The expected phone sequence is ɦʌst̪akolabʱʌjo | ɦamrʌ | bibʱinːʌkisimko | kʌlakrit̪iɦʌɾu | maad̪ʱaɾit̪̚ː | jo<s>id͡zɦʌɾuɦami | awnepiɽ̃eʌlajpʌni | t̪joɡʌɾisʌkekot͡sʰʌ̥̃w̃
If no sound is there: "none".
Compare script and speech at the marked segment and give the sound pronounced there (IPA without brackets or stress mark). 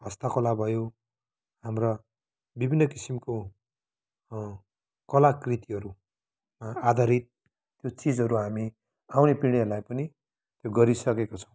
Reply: t͡s